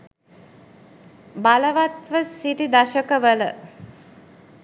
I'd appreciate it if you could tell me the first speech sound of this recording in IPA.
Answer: b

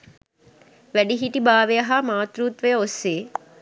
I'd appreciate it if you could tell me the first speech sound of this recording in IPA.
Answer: ʋ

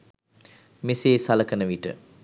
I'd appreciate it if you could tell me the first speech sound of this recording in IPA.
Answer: m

